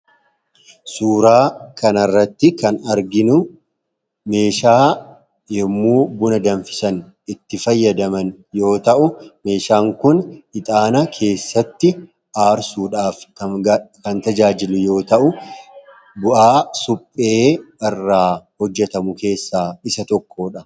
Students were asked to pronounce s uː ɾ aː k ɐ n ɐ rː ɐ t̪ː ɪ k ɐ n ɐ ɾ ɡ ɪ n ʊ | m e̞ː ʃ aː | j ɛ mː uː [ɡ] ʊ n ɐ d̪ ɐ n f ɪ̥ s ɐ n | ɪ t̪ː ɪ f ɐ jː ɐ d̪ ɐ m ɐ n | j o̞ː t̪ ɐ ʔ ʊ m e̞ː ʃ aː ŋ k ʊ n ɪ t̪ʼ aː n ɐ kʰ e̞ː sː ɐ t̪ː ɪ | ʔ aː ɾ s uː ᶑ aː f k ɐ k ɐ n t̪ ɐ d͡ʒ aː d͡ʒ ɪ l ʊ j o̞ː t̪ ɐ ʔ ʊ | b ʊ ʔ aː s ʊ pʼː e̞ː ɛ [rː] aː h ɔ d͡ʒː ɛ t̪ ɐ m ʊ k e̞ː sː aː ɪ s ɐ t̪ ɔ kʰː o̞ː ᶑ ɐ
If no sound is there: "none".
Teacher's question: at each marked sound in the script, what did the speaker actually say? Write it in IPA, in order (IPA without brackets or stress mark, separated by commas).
b, rː